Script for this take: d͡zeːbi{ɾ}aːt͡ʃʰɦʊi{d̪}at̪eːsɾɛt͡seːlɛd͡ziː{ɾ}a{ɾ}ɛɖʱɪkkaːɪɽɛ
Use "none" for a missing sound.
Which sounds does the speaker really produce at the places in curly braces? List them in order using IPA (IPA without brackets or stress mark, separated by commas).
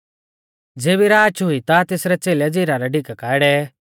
ɾ, t̪, ɾ, ɾ